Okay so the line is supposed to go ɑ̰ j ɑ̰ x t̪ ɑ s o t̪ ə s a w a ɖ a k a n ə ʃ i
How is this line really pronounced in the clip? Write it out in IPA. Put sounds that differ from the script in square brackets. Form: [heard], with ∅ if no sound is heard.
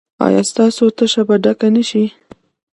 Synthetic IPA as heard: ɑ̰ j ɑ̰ [s] t̪ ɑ s o t̪ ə [ʃ] a [b] a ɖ a k a n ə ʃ i